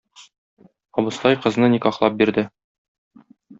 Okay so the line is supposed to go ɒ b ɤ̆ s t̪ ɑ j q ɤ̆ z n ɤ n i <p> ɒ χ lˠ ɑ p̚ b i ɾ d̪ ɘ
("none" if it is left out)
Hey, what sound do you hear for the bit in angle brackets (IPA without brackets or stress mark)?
k